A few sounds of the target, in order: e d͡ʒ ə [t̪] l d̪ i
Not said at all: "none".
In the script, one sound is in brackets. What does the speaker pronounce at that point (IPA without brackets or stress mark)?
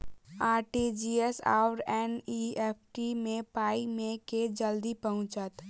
none